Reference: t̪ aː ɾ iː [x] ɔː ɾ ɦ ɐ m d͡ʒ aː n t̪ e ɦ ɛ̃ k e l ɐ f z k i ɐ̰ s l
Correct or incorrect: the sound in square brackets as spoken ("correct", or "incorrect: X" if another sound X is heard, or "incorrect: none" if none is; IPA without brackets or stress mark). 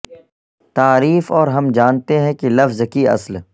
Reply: incorrect: f